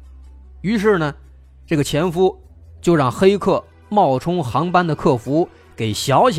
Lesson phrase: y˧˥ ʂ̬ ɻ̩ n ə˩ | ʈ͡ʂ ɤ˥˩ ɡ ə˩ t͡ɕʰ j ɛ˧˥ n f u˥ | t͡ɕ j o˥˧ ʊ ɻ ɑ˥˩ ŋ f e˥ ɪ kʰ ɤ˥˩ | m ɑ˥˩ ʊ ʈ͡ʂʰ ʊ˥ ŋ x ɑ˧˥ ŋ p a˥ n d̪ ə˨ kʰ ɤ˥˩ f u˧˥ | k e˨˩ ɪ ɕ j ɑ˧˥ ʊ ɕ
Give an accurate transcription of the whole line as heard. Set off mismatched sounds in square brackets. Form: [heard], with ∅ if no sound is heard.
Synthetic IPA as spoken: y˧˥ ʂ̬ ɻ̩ n ə˩ | ʈ͡ʂ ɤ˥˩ ɡ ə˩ t͡ɕʰ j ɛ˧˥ n f u˥ | t͡ɕ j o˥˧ ʊ ɻ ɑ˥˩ ŋ [x] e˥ ɪ kʰ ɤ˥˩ | m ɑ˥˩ ʊ ʈ͡ʂʰ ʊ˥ ŋ x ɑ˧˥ ŋ p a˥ n d̪ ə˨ kʰ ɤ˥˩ f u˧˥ | k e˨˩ ɪ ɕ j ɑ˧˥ ʊ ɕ